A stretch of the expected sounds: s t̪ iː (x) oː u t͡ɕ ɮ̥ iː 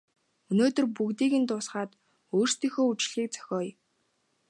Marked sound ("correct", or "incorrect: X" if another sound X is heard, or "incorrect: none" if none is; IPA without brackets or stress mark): correct